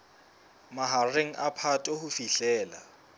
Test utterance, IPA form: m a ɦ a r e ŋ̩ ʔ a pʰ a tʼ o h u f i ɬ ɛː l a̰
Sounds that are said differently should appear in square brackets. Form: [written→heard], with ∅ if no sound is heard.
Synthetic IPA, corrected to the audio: m a ɦ a r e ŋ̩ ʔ a pʰ a tʼ o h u f i ɬ ɛː l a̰

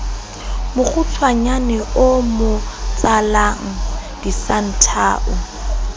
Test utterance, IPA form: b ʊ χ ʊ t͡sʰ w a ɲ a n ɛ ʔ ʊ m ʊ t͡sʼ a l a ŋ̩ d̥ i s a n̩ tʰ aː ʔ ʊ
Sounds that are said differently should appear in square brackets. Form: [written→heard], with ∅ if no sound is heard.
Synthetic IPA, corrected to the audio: [b→m] ʊ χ ʊ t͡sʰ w a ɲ a n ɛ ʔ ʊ m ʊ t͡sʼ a l a ŋ̩ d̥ i s a n̩ tʰ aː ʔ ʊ

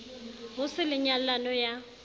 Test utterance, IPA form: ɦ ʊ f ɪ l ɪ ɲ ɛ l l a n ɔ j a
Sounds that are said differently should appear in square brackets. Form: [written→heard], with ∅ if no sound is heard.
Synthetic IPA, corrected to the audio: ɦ ʊ [f→s] ɪ l ɪ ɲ [ɛ→a] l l a n ɔ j a

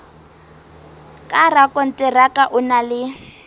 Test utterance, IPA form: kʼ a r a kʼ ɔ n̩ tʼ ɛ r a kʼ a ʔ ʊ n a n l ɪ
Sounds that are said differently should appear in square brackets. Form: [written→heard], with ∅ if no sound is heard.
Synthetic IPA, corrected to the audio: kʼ a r a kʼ ɔ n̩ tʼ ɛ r a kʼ a ʔ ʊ n a [n→∅] l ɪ

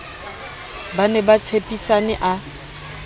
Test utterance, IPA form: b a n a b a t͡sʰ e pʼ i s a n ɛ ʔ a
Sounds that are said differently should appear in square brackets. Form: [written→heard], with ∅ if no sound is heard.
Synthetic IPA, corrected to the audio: b a n [a→ɛ] b a t͡sʰ e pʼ i s a n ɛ ʔ a

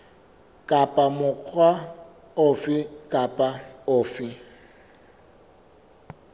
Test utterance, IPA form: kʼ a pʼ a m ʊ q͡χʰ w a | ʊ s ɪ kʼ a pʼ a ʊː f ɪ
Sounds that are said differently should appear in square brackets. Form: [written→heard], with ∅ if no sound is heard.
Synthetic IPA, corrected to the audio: kʼ a pʼ a m ʊ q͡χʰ w a | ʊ [s→f] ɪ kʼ a pʼ a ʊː f ɪ

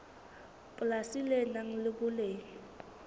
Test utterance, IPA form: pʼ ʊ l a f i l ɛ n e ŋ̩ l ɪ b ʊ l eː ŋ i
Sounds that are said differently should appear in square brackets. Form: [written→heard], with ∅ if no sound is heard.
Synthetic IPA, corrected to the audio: pʼ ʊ l a [f→s] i l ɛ n [e→a] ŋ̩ l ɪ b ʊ l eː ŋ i

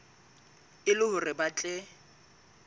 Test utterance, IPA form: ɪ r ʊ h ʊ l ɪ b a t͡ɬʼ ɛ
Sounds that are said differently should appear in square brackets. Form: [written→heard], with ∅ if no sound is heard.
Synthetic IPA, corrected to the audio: ɪ [r→l] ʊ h ʊ [l→r] ɪ b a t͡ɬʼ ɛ

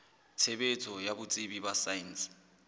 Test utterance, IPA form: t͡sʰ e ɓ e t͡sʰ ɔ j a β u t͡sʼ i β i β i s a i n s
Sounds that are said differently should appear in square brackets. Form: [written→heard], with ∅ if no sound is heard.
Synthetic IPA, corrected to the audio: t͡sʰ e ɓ e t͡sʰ ɔ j a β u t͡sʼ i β i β [i→a] s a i n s

